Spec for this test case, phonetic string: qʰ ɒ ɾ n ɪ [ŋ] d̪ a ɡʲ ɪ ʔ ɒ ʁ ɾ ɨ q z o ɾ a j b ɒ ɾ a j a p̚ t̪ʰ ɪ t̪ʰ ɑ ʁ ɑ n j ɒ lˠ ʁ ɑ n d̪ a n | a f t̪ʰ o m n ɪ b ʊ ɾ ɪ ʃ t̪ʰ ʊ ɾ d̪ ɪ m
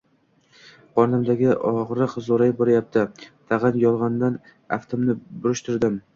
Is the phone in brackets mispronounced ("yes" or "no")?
yes